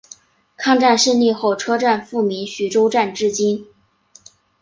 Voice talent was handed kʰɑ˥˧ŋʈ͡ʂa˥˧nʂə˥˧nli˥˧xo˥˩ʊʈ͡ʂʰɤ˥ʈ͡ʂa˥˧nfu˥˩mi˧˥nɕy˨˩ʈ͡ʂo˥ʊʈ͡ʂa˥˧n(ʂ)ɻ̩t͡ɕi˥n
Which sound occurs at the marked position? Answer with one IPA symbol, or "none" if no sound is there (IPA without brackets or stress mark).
ʈ͡ʂ